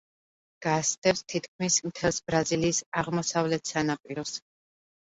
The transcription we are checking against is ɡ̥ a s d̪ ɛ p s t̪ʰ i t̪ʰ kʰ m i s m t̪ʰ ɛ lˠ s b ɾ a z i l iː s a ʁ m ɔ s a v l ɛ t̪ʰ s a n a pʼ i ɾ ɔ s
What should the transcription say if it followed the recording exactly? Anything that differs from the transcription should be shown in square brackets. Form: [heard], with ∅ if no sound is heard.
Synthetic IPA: ɡ̥ a s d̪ ɛ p s t̪ʰ i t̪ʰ kʰ m i s m t̪ʰ ɛ lˠ s b ɾ a z i l iː s a ʁ m ɔ s a v l ɛ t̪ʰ s a n a pʼ i ɾ ɔ s